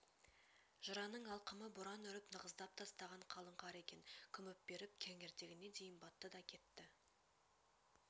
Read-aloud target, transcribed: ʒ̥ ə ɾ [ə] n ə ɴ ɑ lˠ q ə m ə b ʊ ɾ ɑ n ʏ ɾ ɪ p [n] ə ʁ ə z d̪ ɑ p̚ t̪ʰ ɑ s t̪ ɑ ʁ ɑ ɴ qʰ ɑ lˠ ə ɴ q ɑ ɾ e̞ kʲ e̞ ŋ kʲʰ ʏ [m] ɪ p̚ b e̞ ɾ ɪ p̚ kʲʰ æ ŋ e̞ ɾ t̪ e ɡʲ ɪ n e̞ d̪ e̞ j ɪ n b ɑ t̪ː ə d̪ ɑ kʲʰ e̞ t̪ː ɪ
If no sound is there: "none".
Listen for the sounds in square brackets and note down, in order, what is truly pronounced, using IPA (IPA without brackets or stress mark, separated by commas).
ɑ, n, m